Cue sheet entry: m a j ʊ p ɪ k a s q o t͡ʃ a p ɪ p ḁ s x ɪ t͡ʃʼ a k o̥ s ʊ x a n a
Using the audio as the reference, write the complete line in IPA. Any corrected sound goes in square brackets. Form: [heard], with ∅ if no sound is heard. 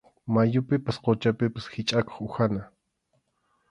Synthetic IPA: m a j ʊ p ɪ [p] a s q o t͡ʃ a p ɪ p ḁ s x ɪ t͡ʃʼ a k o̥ [χ] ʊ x a n a